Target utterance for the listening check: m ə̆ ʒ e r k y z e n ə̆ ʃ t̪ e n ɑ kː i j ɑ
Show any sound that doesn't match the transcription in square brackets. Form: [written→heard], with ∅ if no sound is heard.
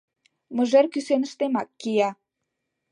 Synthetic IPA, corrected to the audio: m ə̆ ʒ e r k y [z→s] e n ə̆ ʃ t̪ e [n→m] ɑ kː i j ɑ